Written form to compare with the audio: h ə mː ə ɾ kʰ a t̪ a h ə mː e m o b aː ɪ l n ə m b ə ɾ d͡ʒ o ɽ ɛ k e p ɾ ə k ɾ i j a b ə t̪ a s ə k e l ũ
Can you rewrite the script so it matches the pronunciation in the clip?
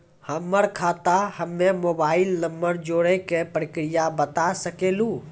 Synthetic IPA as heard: h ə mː ə ɾ kʰ a t̪ a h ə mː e m o b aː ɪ l n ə m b ə ɾ d͡ʒ o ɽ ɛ k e p ɾ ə k ɾ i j a b ə t̪ a s ə k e l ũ